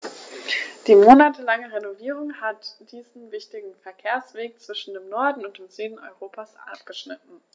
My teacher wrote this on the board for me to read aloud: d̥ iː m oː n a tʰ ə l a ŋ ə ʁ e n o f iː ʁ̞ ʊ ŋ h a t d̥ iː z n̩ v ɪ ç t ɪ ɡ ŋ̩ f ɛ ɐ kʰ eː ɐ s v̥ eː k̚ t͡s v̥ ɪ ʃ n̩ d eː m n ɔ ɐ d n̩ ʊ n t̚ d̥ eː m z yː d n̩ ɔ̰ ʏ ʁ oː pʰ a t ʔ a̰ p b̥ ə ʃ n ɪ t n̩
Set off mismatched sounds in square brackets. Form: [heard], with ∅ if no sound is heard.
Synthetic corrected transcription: d̥ iː m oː n a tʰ ə l a ŋ ə ʁ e n o [v] iː ʁ̞ ʊ ŋ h a t d̥ iː z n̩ v ɪ ç t ɪ ɡ ŋ̩ f ɛ ɐ kʰ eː ɐ s v̥ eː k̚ t͡s v̥ ɪ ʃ n̩ d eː m n ɔ ɐ d n̩ ʊ n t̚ d̥ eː m z yː d n̩ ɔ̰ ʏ ʁ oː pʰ a [s] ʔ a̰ p [ɡ̥] ə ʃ n ɪ t n̩

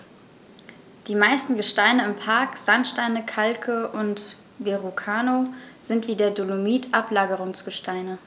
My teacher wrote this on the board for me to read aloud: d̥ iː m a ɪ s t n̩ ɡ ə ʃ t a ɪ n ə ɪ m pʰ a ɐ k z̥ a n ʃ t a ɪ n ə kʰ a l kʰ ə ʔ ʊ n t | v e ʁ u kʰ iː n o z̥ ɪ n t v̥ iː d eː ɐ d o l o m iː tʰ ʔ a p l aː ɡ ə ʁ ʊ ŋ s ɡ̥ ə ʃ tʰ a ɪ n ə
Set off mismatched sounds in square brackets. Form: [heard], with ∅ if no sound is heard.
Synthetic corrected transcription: d̥ iː m a ɪ s t n̩ ɡ ə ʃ t a ɪ n ə ɪ m pʰ a ɐ k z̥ a n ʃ t a ɪ n ə kʰ a l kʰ ə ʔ ʊ n t | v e ʁ u kʰ [aː] n o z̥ ɪ n t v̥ iː d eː ɐ d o l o m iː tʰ ʔ a p l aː ɡ ə ʁ ʊ ŋ s ɡ̥ ə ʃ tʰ a ɪ n ə

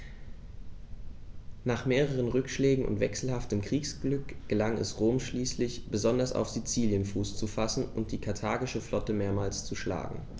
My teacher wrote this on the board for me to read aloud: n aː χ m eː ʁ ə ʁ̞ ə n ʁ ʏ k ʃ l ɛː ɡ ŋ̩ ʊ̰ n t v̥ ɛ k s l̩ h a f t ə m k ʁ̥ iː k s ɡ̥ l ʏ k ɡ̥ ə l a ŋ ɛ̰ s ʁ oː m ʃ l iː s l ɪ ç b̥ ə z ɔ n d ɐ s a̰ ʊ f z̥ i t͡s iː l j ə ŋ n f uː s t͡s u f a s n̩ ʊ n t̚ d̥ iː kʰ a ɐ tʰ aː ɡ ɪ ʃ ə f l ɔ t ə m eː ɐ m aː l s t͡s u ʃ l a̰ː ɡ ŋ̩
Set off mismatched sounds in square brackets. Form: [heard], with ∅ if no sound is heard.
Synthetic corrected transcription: n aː χ m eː ʁ ə ʁ̞ ə n ʁ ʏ k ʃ l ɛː ɡ ŋ̩ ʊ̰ n t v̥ ɛ k s l̩ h a f t ə m k ʁ̥ iː k s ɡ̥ l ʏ k ɡ̥ ə l a ŋ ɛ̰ s ʁ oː m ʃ l iː s l ɪ ç b̥ ə z ɔ n d ɐ s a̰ ʊ f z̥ i t͡s iː l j ə [∅] n f uː s t͡s u f a s n̩ ʊ n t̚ d̥ iː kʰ a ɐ tʰ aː ɡ ɪ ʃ ə f l ɔ t ə m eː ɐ m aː l s t͡s u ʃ l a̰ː ɡ ŋ̩

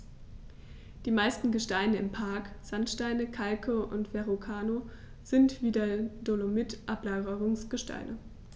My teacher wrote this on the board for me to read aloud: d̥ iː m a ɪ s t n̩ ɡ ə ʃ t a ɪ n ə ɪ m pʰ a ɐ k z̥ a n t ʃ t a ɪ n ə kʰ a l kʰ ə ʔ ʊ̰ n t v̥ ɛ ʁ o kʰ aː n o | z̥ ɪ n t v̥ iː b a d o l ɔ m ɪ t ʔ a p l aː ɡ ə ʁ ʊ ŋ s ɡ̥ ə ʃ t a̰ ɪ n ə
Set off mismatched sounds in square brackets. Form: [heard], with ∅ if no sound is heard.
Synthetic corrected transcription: d̥ iː m a ɪ s t n̩ ɡ ə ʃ t a ɪ n ə ɪ m pʰ a ɐ k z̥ a n t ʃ t a ɪ n ə kʰ a l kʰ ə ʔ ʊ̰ n t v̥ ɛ ʁ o kʰ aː n o | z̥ ɪ n t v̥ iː [d] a d o l [o] m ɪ t ʔ a p l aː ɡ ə ʁ ʊ ŋ s ɡ̥ ə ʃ t a̰ ɪ n ə

